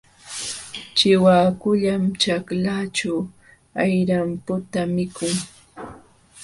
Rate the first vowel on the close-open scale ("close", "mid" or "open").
close